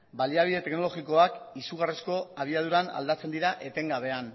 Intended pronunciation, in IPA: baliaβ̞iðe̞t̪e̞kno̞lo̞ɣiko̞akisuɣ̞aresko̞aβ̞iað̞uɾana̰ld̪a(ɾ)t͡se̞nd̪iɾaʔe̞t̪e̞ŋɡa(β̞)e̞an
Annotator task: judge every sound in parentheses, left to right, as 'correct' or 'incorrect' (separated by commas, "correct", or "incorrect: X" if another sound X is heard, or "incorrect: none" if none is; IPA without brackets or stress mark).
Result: incorrect: none, correct